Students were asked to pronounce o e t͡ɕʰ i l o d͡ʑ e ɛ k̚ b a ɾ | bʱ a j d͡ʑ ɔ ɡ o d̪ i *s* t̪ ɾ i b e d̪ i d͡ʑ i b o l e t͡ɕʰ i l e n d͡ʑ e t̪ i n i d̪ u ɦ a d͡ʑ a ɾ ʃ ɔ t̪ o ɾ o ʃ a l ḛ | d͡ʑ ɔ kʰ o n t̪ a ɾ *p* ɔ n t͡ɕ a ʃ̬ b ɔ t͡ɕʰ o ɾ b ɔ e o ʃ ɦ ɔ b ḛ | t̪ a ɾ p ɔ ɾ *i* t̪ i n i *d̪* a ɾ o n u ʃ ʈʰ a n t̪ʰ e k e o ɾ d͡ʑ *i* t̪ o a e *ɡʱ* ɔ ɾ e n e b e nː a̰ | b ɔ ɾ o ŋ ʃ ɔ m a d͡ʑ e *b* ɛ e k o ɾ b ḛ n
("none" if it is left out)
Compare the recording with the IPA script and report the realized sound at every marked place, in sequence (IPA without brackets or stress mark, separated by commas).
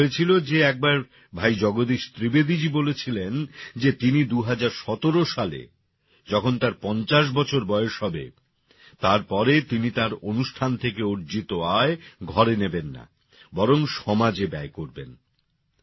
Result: ʃ, p, e, t̪, i, ɡʱ, b